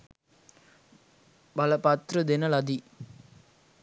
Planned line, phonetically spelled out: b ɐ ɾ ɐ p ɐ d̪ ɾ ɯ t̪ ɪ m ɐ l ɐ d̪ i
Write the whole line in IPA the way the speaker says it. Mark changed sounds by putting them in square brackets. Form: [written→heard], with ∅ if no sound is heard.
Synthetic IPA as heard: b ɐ [ɾ→l] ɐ p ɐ [d̪→t̪] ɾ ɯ [t̪→d̪] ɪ [m→n] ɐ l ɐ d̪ i